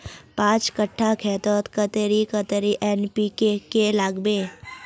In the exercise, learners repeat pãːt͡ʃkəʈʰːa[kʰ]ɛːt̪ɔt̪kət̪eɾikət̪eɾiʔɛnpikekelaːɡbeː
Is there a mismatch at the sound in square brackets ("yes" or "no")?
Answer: no